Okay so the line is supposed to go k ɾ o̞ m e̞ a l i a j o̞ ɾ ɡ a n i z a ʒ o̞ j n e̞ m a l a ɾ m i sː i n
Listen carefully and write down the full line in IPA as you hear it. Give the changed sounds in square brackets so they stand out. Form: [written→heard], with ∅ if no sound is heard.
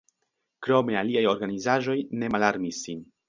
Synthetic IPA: k ɾ o̞ m e̞ a l i a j o̞ ɾ ɡ a n i z a ʒ o̞ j n e̞ m a l a ɾ m i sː i n